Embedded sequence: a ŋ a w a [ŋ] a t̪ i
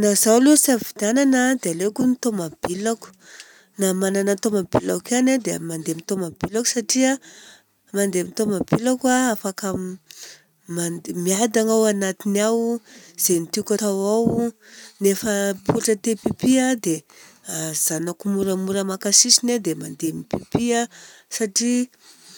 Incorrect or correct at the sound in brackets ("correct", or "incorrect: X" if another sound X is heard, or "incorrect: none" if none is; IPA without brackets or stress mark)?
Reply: incorrect: n